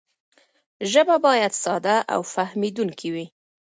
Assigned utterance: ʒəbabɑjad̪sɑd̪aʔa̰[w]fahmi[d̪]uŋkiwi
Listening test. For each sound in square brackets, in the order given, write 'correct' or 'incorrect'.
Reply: correct, correct

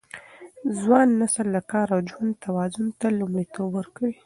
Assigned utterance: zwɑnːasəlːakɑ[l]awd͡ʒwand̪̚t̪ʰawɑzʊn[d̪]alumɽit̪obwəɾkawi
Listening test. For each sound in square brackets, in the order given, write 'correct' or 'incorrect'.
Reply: incorrect: ɾ, incorrect: t̪

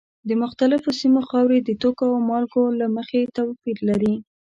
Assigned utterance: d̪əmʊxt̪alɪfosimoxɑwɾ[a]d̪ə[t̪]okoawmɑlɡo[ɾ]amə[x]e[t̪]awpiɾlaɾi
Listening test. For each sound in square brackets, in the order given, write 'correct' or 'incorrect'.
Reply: incorrect: e, correct, incorrect: l, correct, correct

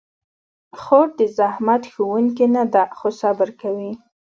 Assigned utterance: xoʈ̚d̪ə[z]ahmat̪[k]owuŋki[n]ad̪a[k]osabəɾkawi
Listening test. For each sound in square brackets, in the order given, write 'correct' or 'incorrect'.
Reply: correct, incorrect: x, correct, incorrect: x

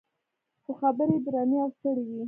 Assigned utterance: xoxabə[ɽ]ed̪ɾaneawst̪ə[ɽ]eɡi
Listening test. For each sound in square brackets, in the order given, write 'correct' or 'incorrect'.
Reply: incorrect: ɾ, correct

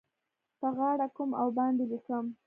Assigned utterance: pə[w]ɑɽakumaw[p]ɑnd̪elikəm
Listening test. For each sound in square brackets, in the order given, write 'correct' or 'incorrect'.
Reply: incorrect: ɣ, incorrect: b

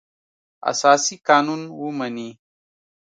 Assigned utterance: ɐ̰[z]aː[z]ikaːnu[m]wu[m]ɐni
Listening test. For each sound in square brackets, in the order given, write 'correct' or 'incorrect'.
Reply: incorrect: s, incorrect: s, incorrect: n, correct

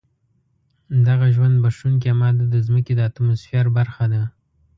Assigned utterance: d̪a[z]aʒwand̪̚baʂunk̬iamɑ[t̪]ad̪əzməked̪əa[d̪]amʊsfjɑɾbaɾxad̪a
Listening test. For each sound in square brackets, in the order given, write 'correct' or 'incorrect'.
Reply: incorrect: ɣ, incorrect: d̪, incorrect: t̪

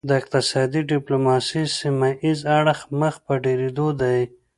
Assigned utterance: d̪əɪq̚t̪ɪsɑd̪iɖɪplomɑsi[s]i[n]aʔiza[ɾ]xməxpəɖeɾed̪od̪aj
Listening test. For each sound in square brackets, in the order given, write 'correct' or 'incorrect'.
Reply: correct, incorrect: m, incorrect: ɽ

